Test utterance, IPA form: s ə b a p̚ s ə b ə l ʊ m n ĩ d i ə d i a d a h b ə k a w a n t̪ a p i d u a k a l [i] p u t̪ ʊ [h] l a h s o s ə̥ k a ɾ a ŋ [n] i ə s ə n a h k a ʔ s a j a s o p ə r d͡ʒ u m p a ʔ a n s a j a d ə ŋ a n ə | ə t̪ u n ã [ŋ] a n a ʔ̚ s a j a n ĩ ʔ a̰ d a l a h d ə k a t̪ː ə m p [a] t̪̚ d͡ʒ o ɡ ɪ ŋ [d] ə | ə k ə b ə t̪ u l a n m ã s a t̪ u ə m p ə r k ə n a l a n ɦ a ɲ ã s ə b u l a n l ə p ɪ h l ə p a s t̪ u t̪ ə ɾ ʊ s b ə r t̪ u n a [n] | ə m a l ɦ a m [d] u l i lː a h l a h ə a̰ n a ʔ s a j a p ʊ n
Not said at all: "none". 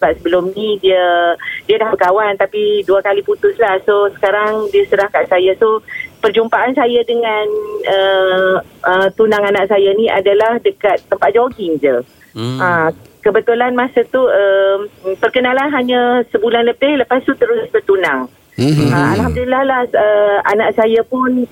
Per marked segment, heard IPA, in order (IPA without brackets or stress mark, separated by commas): i, s, d, ŋ, a, d͡ʒ, ŋ, d